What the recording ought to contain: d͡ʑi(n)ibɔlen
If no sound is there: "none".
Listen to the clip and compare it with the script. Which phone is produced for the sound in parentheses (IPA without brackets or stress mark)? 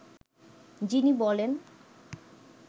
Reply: n